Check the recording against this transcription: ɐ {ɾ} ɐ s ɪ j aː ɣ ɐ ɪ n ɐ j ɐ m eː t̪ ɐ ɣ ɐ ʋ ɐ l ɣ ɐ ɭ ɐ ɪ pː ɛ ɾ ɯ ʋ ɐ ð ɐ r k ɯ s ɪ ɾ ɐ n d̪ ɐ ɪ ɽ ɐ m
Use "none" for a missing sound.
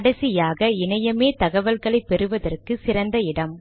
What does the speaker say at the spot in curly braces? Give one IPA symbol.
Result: ɽ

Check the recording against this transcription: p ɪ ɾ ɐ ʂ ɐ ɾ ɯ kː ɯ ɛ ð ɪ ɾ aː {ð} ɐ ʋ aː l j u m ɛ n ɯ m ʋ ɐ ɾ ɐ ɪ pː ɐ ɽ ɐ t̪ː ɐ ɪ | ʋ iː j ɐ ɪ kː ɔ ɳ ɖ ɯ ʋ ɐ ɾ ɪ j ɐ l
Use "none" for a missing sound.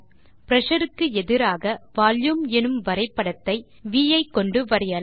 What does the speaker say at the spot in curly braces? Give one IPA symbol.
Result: ɣ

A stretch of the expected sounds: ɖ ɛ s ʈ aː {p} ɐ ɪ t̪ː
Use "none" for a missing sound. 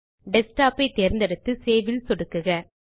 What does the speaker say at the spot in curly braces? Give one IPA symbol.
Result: p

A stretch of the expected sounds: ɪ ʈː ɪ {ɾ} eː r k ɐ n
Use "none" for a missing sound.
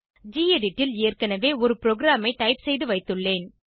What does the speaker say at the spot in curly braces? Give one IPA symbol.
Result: l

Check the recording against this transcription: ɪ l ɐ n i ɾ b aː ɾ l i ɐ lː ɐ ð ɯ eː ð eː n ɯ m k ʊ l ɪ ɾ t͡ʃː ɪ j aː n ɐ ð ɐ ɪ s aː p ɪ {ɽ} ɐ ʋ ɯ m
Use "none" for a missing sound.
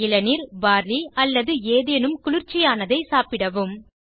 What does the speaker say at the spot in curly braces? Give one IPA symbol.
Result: ɽ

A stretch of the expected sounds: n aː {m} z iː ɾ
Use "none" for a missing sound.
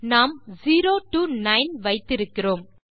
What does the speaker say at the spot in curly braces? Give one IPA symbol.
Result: m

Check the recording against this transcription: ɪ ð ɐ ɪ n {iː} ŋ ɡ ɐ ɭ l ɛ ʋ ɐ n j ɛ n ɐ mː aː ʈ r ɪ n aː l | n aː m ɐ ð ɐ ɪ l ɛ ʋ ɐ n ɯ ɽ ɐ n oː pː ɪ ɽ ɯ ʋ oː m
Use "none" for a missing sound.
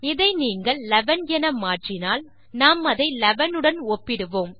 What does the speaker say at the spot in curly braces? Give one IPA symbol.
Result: iː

